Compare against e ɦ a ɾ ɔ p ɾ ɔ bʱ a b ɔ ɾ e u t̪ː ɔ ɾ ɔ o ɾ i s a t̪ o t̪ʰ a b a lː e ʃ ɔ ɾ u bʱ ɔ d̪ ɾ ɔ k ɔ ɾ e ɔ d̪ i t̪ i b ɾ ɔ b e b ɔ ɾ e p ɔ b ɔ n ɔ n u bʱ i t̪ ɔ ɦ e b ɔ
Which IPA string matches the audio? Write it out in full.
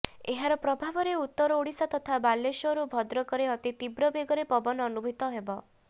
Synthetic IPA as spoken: e ɦ a ɾ ɔ p ɾ ɔ bʱ a b ɔ ɾ e u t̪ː ɔ ɾ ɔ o ɽ i s a t̪ ɔ t̪ʰ a b a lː e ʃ ɔ ɾ u bʱ ɔ d̪ ɾ ɔ k ɔ ɾ e ɔ t̪ i t̪ i b ɾ ɔ b e ɡ ɔ ɾ e p ɔ b ɔ n ɔ n u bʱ i t̪ ɔ ɦ e b ɔ